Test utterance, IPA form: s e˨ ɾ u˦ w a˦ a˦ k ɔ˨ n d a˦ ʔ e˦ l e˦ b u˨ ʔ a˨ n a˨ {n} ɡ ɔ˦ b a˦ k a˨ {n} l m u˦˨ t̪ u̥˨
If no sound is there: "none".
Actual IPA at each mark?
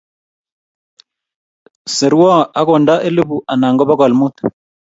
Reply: ŋ, none

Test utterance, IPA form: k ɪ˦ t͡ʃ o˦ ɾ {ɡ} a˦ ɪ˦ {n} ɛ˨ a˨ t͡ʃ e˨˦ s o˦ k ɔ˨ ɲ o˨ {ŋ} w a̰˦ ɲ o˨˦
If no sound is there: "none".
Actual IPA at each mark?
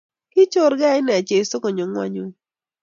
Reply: ɡ, n, ŋ

